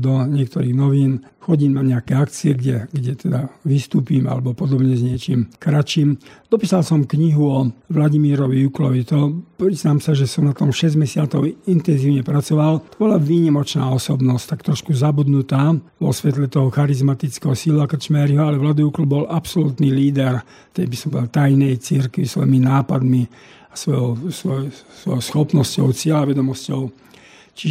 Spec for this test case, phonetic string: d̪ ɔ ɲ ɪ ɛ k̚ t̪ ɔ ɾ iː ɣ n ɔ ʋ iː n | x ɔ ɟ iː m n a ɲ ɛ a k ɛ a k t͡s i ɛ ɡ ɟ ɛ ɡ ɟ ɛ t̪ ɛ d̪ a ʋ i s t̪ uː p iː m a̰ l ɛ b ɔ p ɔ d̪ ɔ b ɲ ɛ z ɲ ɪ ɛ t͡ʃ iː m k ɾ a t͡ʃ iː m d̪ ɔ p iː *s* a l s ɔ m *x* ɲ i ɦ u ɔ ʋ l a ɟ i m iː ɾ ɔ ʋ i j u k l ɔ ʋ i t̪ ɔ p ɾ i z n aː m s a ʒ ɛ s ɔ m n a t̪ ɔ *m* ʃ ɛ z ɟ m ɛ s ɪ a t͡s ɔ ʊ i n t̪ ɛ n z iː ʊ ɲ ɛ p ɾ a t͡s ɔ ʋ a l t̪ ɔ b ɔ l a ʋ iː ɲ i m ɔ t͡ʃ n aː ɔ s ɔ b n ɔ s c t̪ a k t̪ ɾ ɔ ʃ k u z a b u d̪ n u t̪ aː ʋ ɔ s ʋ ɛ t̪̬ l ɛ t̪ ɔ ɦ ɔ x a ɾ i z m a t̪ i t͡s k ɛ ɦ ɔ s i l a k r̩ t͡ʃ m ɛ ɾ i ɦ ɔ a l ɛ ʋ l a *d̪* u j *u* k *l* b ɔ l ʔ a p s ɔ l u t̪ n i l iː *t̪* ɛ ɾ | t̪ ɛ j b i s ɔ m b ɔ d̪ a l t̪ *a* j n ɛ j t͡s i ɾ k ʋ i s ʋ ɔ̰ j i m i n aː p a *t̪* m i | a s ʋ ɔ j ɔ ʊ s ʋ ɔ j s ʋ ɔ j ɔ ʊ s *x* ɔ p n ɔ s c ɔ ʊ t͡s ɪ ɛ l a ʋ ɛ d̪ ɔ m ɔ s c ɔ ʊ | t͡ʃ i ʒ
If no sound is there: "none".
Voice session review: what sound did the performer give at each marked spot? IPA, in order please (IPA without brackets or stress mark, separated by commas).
s, k, m, d̪, u, l, d̪, a, d̪, x